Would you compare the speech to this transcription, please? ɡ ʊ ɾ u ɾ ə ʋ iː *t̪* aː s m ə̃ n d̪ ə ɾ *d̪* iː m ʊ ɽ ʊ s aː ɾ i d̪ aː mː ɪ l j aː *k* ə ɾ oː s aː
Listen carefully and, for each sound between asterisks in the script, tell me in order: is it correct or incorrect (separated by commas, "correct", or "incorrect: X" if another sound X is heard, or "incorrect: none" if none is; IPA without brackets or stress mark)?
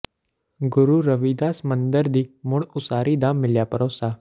incorrect: d̪, correct, incorrect: p